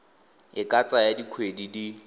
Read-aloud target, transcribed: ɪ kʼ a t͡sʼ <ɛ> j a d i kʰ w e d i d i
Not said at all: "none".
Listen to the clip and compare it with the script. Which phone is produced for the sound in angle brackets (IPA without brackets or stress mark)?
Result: a